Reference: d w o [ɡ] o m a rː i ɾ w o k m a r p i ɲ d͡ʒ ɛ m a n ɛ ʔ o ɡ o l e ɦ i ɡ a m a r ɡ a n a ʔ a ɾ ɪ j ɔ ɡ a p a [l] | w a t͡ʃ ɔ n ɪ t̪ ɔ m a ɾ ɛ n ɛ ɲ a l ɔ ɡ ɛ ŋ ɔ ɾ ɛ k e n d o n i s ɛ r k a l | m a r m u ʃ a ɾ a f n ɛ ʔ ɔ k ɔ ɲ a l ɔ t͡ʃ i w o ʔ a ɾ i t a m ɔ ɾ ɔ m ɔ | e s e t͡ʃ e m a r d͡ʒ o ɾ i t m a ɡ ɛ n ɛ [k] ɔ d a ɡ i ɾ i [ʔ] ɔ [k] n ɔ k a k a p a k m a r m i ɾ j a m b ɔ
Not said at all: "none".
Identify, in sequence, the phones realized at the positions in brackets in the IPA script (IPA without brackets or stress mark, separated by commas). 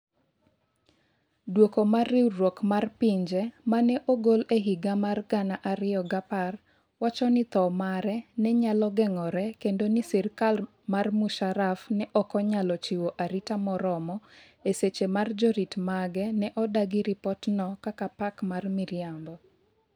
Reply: k, r, ʔ, p, t